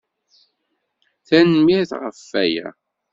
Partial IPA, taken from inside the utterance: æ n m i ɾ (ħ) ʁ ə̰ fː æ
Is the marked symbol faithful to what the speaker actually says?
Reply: no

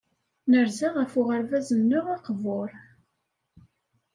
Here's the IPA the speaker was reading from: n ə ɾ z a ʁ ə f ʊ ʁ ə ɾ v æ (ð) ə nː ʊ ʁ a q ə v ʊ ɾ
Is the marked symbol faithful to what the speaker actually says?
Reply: no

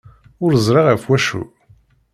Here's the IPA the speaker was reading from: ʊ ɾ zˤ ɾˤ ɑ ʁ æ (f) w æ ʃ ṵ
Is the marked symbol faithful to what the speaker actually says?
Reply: yes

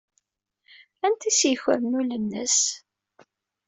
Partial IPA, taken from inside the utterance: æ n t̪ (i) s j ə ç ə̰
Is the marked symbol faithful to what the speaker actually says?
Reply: yes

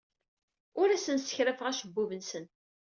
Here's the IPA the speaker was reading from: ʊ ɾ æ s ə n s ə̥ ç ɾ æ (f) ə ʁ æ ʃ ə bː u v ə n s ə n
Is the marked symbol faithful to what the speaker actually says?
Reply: yes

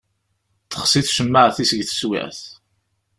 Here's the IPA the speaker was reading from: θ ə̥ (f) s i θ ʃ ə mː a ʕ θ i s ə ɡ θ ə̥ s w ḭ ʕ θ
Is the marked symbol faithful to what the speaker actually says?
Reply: no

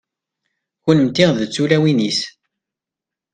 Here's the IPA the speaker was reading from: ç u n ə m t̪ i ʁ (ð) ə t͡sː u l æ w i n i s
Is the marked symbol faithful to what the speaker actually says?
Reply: yes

